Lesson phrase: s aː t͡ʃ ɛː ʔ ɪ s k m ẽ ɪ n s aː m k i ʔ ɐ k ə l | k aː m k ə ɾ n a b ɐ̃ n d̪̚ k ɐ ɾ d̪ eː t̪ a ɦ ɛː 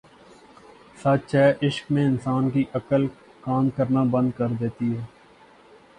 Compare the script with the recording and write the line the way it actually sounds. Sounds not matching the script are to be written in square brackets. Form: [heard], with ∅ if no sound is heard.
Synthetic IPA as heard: s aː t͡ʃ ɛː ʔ ɪ [ʃ] k m ẽ ɪ n s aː [n] k i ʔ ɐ k ə l | k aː m k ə ɾ n a b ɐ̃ n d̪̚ k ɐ ɾ d̪ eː t̪ [i] ɦ ɛː